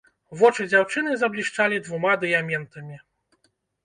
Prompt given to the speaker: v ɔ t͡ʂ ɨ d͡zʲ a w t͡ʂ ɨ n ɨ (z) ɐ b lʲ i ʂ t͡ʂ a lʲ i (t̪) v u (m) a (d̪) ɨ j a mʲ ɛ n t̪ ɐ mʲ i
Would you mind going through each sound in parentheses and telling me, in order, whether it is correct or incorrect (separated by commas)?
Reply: correct, incorrect, correct, correct